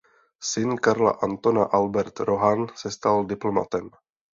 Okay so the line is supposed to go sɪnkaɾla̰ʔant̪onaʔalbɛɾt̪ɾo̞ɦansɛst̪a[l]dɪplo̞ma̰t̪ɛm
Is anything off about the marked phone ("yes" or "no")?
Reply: no